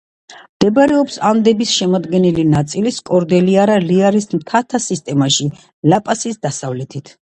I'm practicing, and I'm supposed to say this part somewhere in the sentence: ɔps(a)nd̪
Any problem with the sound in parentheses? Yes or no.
no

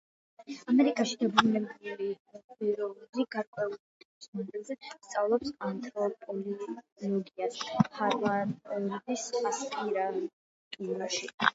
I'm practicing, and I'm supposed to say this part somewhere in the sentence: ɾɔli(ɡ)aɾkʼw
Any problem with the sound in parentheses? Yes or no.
no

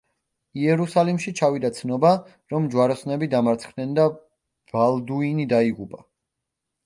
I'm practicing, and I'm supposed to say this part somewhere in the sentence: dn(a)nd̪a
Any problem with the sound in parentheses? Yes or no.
yes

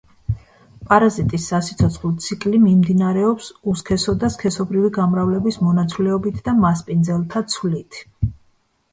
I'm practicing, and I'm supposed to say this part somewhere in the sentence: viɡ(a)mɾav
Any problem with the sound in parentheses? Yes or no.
no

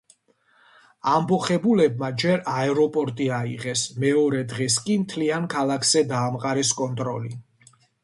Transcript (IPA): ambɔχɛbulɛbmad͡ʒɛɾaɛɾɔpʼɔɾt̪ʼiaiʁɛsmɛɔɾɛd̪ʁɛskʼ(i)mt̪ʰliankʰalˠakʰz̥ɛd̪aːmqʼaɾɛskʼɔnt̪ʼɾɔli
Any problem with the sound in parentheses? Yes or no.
no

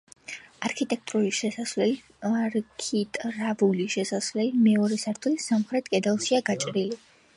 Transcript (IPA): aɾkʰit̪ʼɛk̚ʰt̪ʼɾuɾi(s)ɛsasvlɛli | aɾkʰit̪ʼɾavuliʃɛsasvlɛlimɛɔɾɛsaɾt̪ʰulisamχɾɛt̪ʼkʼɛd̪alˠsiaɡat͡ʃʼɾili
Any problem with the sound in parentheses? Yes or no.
yes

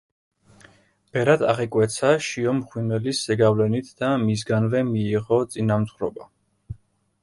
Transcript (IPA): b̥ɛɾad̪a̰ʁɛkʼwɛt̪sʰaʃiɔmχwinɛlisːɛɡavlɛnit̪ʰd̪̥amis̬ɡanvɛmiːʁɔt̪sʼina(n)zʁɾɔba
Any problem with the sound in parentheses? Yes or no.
yes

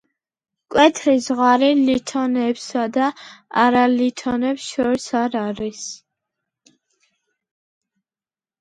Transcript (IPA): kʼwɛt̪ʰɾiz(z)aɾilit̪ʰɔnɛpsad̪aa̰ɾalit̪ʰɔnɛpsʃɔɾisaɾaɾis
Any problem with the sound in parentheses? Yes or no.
yes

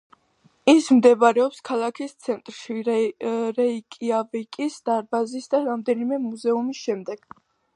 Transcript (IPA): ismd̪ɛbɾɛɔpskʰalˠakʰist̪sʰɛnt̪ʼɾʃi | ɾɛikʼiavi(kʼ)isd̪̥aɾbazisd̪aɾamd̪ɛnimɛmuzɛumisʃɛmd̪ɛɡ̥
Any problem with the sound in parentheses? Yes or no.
no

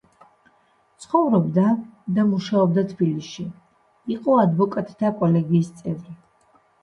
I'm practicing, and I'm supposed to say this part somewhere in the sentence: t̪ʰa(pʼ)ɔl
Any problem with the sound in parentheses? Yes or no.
yes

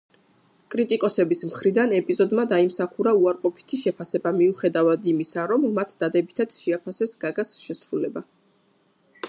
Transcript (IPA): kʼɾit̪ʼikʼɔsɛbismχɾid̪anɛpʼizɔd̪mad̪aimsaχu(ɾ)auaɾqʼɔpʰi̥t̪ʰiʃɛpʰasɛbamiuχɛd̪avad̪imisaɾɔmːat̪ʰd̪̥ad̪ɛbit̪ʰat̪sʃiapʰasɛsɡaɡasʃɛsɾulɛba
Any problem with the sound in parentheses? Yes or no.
no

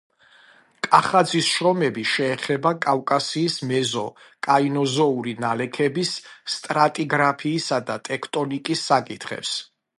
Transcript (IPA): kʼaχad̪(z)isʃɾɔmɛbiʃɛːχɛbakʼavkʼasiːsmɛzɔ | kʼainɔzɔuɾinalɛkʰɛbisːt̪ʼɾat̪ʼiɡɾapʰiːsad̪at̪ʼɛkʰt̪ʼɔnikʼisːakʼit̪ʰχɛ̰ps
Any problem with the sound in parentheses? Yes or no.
no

